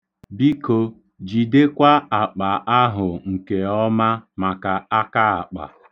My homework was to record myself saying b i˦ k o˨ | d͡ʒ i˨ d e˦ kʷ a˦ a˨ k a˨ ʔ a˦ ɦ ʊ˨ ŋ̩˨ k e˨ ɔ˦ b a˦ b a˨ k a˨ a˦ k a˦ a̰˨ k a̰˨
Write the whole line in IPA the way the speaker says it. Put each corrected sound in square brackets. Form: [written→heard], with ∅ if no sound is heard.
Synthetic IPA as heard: b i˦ k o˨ | d͡ʒ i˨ d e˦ kʷ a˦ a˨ [k→k͡p] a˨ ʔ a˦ ɦ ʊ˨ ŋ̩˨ k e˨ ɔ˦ [b→m] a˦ [b→m] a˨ k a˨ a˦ k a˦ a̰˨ [k→k͡p] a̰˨